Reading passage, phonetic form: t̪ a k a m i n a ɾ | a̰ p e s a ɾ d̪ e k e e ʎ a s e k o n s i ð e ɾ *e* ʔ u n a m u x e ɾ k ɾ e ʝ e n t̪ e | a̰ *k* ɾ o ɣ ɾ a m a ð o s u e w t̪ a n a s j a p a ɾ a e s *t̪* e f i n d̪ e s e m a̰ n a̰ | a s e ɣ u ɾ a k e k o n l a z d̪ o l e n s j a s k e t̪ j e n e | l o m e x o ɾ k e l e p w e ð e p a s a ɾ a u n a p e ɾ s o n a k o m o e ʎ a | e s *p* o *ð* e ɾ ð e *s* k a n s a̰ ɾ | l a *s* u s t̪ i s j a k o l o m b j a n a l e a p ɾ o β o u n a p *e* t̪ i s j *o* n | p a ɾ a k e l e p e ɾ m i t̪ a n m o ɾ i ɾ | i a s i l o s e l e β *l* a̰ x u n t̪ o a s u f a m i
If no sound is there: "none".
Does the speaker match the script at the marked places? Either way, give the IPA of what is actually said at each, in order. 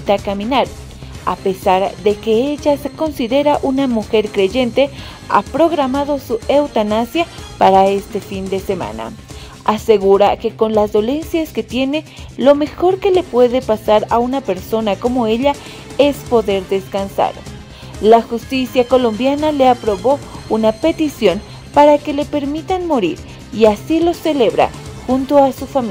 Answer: a, p, t̪, p, ð, s, x, e, o, ɾ

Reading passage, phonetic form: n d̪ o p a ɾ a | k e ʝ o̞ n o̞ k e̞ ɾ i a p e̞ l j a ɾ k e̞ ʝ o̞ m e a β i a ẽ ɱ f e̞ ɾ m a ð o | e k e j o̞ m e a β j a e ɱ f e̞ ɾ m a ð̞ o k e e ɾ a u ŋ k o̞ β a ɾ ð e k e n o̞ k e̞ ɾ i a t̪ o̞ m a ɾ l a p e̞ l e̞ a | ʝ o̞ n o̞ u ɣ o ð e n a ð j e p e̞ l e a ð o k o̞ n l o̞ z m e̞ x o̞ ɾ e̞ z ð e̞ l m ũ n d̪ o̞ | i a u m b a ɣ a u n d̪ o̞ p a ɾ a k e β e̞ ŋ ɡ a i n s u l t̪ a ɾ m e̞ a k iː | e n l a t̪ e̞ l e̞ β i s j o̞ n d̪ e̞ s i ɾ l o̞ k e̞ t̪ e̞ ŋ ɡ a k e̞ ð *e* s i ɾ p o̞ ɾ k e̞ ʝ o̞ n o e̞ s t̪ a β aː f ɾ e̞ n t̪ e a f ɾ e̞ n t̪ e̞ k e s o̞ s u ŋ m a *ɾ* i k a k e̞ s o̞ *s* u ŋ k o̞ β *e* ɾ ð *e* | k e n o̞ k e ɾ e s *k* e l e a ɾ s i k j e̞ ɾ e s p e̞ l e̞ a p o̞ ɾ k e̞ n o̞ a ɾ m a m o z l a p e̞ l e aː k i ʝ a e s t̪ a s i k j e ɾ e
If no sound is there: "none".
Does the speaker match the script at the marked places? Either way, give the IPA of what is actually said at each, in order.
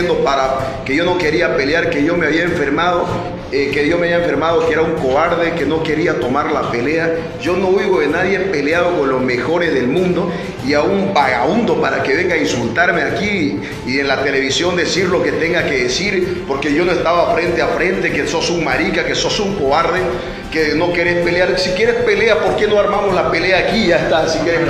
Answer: e, ɾ, s, a, e, p

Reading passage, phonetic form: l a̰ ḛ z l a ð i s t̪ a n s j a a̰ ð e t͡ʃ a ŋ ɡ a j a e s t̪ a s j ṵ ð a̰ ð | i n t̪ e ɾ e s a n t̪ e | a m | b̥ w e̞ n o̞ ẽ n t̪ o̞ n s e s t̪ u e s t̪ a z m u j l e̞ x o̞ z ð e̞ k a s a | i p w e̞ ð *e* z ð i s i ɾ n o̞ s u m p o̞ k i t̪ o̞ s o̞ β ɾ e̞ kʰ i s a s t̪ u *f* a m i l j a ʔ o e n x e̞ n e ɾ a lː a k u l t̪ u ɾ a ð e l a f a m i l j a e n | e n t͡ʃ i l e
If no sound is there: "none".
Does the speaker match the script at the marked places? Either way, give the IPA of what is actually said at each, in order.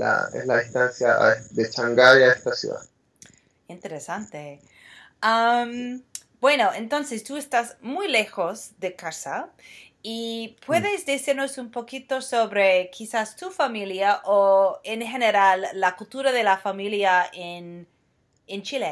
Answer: e, f

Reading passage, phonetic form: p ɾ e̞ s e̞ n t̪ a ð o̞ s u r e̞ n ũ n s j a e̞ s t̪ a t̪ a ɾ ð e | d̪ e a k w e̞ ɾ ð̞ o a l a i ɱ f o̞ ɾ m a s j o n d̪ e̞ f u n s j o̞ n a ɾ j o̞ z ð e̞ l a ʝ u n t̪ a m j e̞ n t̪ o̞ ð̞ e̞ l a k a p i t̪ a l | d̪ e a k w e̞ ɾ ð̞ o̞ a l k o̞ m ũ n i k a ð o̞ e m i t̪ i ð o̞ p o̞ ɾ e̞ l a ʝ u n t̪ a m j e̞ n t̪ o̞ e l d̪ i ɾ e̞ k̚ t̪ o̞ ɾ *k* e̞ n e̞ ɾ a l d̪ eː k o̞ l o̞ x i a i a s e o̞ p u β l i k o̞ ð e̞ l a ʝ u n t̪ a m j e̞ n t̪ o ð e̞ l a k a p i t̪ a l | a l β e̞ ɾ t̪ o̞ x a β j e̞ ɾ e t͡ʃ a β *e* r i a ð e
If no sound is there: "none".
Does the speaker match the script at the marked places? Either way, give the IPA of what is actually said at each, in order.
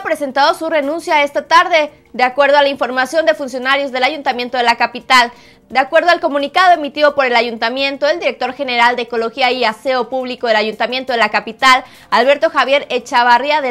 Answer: x, a

